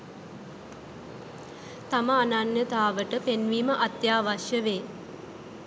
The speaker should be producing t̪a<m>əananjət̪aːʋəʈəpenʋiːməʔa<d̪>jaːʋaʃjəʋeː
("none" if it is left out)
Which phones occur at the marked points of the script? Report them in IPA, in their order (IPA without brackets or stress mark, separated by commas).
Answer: m, t̪